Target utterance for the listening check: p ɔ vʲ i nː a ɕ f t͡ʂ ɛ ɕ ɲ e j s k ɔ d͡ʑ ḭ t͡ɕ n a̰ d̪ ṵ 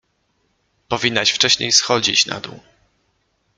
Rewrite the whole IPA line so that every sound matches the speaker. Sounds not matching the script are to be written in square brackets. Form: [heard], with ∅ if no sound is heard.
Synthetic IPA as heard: p ɔ vʲ i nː a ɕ f t͡ʂ ɛ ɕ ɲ e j s [x] ɔ d͡ʑ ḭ t͡ɕ n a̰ d̪ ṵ